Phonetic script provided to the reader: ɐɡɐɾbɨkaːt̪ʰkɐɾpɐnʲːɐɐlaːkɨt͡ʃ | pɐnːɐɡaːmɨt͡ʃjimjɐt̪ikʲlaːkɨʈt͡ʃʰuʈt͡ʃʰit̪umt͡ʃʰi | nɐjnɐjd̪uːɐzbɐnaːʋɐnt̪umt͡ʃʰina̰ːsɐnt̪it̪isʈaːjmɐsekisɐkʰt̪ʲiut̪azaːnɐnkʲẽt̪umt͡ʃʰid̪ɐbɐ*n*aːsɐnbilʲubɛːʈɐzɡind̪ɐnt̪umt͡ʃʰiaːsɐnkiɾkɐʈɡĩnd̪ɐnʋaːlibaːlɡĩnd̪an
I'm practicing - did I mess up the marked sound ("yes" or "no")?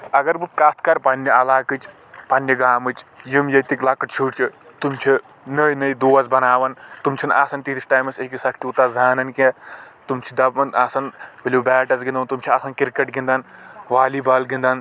no